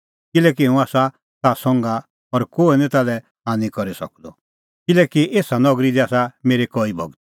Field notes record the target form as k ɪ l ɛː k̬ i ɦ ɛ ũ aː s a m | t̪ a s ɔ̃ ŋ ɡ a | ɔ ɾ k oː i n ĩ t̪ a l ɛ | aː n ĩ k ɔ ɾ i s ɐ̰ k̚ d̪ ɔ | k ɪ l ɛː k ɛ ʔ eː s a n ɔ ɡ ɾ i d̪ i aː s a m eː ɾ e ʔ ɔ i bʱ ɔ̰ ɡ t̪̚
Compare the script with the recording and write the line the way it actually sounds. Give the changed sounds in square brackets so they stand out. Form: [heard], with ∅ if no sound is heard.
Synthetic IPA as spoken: k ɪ l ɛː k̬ i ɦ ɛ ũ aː s a [∅] | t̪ a s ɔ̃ ŋ ɡ a | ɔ ɾ k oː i n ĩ t̪ a l ɛ | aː n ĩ k ɔ ɾ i s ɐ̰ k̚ d̪ ɔ | k ɪ l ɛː k [i] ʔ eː s a n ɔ ɡ ɾ i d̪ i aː s a m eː ɾ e [k] ɔ i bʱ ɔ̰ ɡ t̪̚